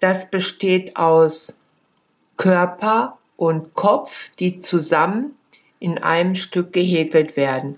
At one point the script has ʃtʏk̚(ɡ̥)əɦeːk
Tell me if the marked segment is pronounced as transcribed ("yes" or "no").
yes